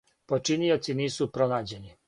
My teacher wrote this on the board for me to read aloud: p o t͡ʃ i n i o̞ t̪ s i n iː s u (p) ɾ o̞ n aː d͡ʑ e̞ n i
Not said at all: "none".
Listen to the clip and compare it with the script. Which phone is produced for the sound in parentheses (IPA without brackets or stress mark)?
p